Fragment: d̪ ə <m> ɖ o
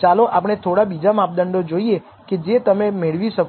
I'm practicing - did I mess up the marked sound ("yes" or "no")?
yes